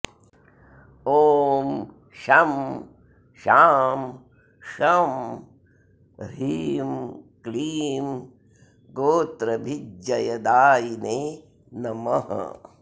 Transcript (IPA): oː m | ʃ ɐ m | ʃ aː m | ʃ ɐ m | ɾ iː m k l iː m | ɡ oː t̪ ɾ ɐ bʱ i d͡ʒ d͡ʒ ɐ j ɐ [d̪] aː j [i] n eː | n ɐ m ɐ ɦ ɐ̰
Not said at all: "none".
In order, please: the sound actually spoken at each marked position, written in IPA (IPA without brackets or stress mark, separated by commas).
d̪, i